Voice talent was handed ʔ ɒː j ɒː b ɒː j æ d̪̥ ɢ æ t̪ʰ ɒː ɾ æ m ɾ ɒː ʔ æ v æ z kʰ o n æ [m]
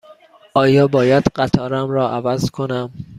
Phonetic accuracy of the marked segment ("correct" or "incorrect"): correct